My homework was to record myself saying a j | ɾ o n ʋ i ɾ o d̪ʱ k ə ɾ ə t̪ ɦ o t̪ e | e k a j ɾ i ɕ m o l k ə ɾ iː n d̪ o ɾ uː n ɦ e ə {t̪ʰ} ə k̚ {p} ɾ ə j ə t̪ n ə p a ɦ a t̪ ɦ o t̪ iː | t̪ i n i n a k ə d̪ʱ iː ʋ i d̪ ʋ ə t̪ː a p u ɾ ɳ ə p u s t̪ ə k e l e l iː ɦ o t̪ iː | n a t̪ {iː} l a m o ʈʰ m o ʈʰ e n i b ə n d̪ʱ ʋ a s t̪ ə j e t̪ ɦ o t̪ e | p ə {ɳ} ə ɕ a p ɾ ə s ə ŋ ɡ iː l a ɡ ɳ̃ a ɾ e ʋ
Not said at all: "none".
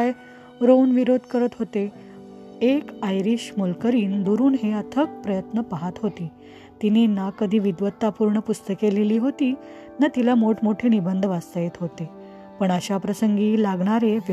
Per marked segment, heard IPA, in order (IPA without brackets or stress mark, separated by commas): t̪ʰ, p, i, ɳ